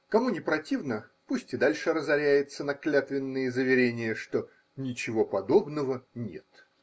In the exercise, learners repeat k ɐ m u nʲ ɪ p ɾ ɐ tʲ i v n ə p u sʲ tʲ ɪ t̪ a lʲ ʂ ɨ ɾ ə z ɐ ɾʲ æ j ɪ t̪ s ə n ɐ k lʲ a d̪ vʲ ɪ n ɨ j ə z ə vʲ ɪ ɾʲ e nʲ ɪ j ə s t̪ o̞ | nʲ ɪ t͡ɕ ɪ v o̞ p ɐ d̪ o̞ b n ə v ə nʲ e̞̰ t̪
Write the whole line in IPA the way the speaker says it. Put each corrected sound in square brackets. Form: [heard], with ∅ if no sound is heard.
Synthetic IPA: k ɐ m u nʲ ɪ p ɾ ɐ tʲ i v n ə p u sʲ tʲ ɪ [d̪] a lʲ ʂ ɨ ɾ ə z ɐ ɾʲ æ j ɪ t̪ s ə n ɐ k lʲ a [t̪] vʲ ɪ [nː] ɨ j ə z ə vʲ ɪ ɾʲ e nʲ ɪ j ə [ʂ] t̪ o̞ | nʲ ɪ t͡ɕ ɪ v o̞ p ɐ d̪ o̞ b n ə v ə nʲ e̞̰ t̪